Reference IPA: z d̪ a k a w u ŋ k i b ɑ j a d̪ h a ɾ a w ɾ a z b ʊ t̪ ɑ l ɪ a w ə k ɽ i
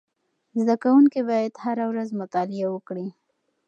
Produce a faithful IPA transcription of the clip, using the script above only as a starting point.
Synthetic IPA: z d̪ a k a w u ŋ k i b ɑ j a d̪ h a ɾ a w ɾ a z m ʊ t̪ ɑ l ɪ a w ə k ɽ i